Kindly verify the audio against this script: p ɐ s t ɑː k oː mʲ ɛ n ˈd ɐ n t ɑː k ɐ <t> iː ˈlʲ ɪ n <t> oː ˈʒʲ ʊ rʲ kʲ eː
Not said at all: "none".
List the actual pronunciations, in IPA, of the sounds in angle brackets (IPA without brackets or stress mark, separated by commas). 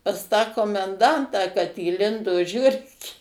t, d